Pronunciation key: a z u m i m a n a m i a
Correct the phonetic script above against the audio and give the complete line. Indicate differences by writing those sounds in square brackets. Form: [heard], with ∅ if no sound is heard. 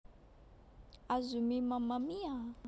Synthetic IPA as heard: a z u m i m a [m] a m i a